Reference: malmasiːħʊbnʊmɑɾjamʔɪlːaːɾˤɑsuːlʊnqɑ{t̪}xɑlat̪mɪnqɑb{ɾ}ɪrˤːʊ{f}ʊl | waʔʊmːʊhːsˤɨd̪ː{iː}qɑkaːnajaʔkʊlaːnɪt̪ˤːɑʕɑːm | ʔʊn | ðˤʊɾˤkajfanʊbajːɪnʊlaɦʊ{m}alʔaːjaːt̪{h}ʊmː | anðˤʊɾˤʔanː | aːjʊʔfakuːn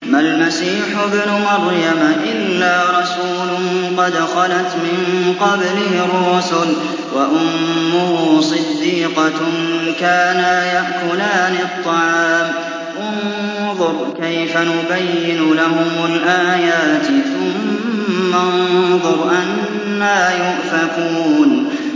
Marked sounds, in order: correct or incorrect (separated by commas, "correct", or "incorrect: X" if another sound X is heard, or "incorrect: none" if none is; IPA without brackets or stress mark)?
incorrect: d̪, incorrect: l, incorrect: s, correct, correct, incorrect: θ